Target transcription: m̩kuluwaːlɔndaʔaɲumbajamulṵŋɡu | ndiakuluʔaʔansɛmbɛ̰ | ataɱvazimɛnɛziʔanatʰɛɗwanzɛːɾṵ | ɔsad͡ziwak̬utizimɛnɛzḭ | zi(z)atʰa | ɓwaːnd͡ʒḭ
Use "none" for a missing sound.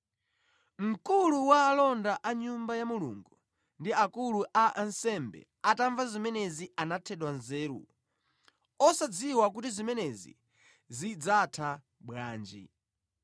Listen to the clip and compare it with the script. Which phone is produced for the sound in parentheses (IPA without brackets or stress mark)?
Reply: d͡z